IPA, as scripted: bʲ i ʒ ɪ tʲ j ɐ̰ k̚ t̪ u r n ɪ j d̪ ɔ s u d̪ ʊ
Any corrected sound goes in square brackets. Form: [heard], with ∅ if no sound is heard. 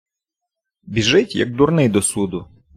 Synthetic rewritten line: bʲ i ʒ ɪ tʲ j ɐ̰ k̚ [d̪] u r n ɪ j d̪ ɔ s u d̪ ʊ